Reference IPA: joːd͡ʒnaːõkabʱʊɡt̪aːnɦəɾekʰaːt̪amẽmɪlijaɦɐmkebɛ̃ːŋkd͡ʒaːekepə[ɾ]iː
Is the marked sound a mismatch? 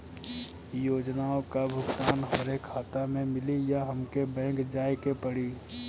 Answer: yes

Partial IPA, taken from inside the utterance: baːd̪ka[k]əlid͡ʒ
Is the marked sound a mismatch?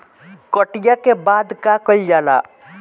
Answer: no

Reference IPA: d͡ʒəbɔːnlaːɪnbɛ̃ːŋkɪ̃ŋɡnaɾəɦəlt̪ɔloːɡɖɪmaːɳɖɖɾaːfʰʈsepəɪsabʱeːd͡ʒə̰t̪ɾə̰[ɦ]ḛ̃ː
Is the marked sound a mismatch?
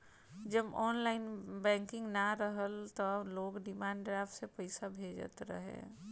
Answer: no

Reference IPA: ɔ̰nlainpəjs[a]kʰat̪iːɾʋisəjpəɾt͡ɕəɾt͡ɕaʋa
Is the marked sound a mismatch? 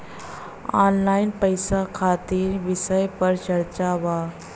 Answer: no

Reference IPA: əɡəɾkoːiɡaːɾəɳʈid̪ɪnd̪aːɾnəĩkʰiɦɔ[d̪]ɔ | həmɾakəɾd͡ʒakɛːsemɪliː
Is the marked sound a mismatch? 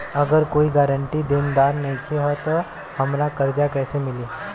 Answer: yes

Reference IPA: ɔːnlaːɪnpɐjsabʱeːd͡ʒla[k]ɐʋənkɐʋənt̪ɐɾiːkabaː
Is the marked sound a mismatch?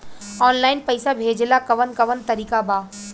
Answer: no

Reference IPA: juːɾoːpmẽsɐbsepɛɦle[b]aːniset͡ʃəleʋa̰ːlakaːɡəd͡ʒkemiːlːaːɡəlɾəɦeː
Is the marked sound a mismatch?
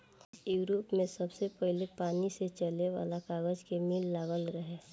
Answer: yes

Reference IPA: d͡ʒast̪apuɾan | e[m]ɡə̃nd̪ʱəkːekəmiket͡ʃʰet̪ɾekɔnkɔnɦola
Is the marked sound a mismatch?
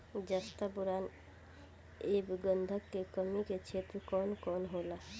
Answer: yes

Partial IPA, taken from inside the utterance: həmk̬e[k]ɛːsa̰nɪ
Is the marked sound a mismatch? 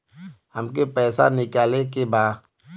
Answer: yes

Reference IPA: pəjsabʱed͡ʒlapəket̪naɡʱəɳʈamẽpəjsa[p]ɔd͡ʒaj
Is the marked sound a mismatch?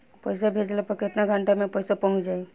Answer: no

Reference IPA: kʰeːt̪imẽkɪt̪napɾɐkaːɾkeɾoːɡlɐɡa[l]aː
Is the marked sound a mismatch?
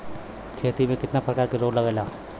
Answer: no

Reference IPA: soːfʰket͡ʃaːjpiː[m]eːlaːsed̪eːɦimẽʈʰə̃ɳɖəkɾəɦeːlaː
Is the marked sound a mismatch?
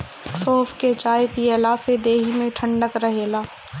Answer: yes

